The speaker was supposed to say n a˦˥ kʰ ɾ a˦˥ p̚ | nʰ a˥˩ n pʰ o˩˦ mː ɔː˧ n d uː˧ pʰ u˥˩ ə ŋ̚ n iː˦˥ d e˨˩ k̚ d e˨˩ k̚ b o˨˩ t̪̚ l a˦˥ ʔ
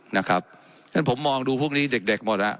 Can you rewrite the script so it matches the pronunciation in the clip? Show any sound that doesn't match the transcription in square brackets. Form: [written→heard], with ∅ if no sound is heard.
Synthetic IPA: n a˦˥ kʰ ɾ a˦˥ p̚ | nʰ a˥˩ n pʰ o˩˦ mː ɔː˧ [n→ŋ] d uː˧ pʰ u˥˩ ə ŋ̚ n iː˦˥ d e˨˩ k̚ d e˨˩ k̚ [b→m] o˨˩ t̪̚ l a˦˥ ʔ